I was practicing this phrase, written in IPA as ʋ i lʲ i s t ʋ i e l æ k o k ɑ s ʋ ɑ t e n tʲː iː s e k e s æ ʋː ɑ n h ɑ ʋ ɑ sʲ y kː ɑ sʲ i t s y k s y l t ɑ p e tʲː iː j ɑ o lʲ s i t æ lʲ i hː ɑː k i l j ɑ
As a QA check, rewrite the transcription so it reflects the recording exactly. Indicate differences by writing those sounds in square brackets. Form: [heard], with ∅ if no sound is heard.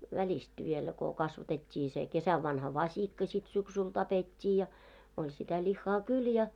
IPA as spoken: ʋ [æ] lʲ i s t ʋ i e l æ k o k ɑ s ʋ ɑ t e [∅] tʲː iː s e k e s æ ʋː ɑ n h ɑ ʋ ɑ sʲ [i] kː ɑ sʲ i t s y k s y l t ɑ p e tʲː iː j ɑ o lʲ s i t æ lʲ i hː ɑː k [y] l j ɑ